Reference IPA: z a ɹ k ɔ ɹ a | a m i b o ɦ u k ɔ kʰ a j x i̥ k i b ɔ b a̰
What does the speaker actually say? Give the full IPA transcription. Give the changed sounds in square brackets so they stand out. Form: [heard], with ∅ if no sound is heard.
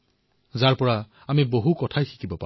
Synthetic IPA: z a ɹ [p] ɔ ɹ a | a m i b o ɦ u k ɔ [tʰ] a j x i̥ k i b ɔ [p] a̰